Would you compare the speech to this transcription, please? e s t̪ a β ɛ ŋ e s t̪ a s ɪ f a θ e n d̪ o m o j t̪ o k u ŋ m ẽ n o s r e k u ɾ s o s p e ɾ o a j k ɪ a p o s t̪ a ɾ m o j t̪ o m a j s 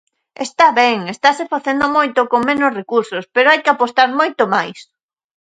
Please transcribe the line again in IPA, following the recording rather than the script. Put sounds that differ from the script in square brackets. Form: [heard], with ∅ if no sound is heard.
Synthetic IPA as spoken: e s t̪ a β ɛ ŋ e s t̪ a s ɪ f a θ e n d̪ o m o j t̪ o k [o] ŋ m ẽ n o s r e k u ɾ s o s p e ɾ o a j k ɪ a p o s t̪ a ɾ m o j t̪ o m a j s